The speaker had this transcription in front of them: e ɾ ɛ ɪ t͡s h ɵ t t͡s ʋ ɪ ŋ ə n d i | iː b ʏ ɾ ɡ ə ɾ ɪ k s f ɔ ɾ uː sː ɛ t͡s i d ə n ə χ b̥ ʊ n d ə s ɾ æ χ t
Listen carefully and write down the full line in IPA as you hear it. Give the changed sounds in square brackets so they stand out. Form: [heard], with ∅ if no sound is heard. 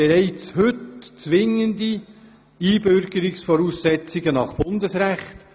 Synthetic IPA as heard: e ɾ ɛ ɪ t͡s h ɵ t t͡s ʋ ɪ ŋ ə n d i | iː b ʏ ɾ ɡ ə ɾ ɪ k s f ɔ ɾ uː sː ɛ t͡s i [ɡ] ə n [ɑ] χ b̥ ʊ n d ə s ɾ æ χ t